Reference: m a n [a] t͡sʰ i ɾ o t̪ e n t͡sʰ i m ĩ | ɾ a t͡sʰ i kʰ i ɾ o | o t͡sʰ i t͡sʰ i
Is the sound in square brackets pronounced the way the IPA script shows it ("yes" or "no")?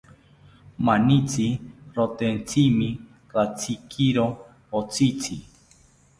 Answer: no